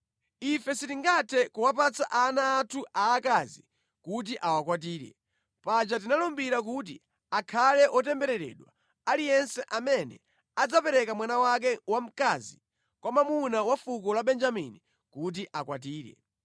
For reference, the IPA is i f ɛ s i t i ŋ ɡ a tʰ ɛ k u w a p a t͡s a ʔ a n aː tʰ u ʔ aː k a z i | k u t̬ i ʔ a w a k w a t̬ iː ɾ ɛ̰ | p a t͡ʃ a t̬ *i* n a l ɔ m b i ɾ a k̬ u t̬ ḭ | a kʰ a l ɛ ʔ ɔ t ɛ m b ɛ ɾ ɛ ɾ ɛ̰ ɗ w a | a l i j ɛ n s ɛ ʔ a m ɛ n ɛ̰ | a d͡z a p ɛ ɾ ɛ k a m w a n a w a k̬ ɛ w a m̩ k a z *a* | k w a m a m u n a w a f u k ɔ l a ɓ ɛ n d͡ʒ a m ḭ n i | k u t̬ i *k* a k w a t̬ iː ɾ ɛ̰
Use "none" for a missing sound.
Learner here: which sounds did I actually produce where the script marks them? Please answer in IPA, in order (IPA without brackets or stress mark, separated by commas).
i, i, ʔ